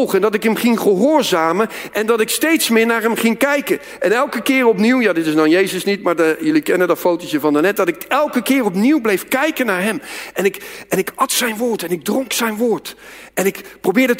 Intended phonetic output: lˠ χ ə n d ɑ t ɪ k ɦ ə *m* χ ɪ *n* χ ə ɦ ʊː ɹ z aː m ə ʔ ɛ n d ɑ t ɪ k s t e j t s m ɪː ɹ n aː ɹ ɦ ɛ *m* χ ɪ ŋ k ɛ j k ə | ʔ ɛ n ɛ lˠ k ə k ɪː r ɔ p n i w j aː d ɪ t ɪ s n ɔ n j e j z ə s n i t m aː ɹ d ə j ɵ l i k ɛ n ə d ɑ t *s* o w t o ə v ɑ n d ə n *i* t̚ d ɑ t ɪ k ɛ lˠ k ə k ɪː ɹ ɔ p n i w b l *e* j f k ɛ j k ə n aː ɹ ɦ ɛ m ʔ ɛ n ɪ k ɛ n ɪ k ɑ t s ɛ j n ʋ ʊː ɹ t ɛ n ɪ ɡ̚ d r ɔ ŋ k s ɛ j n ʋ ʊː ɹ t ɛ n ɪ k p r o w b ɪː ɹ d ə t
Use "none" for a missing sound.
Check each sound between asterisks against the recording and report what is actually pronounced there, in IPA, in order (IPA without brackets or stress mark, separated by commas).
m, ŋ, m, f, ɛ, e